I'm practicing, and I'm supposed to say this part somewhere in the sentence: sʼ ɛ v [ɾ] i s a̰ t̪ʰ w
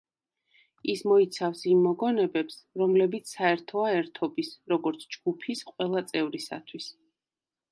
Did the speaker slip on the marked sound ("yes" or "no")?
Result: no